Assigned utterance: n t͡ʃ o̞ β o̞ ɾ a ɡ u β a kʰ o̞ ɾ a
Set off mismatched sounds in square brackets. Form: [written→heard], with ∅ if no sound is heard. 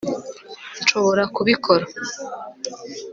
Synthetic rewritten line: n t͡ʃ o̞ β o̞ ɾ a [ɡ→k] u β [a→i] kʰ o̞ ɾ a